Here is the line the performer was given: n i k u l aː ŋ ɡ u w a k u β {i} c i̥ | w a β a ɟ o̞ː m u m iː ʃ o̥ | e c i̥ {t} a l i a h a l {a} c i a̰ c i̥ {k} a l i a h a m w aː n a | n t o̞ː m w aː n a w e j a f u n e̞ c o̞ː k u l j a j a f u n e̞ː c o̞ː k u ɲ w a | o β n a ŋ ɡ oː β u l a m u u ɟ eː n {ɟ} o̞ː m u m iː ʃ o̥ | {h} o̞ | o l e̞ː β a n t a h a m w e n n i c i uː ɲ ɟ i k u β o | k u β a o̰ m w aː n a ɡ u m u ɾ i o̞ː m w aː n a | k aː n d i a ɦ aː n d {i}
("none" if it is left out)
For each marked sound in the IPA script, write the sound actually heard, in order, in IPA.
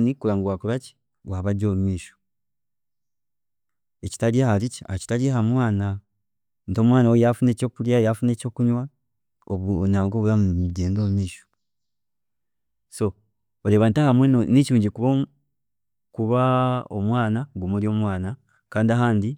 a, t, i, t, d, s, i

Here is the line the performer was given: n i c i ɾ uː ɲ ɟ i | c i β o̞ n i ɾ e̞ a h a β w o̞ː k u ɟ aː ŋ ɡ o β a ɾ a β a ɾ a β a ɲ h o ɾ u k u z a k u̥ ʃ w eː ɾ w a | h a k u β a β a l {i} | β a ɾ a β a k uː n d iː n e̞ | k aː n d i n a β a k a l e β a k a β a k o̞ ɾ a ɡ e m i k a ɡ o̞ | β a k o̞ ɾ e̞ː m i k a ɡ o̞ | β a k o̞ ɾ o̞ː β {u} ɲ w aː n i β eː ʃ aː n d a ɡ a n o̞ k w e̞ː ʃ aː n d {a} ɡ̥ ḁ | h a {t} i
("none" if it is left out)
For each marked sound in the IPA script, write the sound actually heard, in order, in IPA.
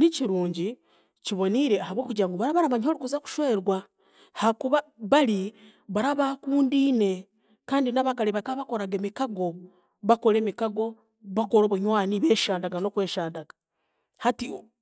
i, u, a, t

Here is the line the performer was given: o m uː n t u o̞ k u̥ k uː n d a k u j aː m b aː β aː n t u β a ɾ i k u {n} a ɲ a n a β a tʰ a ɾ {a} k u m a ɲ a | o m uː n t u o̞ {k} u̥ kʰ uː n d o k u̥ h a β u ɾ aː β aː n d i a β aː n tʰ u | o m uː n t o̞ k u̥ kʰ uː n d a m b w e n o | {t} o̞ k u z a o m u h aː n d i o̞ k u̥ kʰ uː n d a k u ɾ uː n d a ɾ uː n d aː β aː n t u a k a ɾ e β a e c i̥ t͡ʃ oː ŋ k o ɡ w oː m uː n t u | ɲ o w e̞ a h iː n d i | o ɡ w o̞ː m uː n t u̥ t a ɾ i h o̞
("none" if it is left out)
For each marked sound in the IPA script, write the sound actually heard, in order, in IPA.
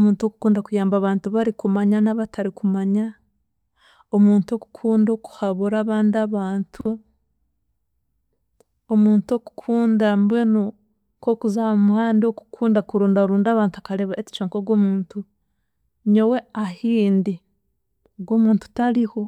m, i, k, k

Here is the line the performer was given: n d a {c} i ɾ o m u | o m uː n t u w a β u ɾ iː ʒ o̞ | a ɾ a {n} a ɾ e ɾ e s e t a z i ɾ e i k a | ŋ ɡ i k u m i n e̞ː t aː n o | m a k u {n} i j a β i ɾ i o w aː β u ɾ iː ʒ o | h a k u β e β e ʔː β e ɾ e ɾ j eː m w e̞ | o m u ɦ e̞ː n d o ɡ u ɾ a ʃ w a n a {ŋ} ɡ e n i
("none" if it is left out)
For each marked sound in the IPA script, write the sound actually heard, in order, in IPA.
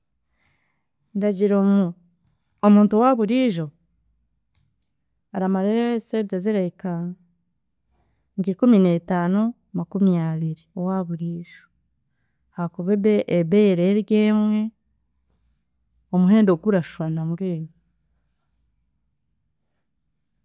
ɟ, m, m, m

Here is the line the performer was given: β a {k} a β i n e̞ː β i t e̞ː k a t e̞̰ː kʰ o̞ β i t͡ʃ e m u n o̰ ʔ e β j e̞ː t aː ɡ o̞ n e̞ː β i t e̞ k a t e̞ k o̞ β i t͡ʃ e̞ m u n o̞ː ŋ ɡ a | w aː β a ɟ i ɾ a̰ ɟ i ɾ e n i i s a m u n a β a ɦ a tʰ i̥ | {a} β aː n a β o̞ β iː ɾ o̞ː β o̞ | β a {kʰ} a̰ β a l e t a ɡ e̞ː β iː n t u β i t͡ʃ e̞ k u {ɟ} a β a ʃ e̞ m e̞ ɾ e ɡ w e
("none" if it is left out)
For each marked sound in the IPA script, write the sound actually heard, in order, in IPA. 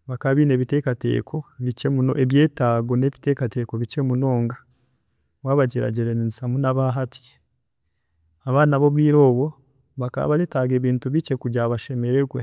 k, a, k, ɟ

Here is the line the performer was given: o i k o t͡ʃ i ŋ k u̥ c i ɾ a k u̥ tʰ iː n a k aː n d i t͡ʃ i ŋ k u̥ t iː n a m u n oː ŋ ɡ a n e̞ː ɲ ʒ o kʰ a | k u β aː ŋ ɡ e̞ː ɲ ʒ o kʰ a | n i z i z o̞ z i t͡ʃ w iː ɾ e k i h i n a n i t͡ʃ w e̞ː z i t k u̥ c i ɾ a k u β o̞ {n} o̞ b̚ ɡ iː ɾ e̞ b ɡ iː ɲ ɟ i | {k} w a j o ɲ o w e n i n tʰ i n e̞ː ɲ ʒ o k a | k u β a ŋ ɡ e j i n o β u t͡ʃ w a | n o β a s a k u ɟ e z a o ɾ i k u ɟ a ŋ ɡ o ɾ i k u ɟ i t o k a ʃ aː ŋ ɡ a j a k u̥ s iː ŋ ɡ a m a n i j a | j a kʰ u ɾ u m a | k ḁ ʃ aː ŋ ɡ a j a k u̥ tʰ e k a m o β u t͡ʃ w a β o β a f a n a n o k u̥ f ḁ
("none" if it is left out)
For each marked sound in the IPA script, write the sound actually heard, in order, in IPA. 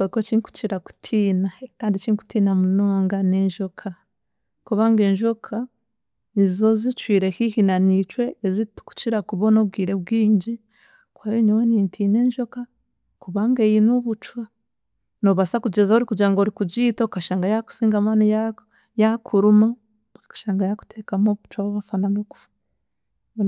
n, k

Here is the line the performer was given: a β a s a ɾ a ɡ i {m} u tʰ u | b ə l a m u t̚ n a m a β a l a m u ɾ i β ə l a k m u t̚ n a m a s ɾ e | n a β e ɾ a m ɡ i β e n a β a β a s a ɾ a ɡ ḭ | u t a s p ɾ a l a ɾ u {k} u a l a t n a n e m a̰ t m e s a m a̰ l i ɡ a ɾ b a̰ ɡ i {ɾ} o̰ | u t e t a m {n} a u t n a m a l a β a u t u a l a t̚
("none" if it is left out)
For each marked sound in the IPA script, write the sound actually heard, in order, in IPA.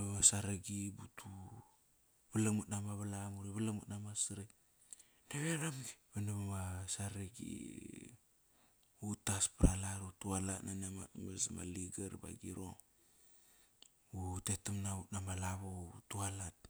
b, t, ɾ, n

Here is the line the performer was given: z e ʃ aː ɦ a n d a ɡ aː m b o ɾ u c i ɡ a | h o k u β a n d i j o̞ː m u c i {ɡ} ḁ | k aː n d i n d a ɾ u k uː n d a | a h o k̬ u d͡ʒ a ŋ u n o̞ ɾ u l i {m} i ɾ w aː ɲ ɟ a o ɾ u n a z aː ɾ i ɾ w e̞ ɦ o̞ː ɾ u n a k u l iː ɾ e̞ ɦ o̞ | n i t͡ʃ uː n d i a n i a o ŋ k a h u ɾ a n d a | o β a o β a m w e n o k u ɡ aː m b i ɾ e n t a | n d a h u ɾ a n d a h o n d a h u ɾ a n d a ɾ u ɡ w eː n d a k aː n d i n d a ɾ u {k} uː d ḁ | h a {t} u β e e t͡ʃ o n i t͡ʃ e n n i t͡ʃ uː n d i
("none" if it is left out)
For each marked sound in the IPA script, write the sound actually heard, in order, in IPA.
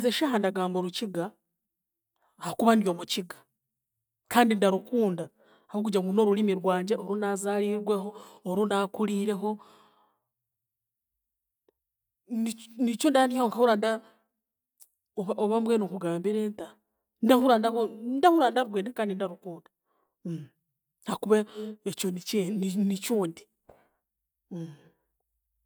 ɡ, m, k, k

